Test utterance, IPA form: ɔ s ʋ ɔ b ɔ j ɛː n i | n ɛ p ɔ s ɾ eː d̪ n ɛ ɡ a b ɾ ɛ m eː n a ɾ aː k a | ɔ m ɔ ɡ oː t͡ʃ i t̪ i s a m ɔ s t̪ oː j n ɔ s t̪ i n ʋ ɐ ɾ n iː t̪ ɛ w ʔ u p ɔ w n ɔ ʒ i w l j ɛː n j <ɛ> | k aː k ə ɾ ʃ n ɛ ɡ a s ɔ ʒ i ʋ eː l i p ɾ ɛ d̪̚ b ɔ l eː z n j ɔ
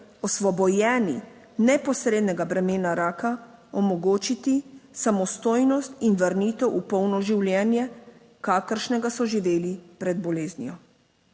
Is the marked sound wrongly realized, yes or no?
no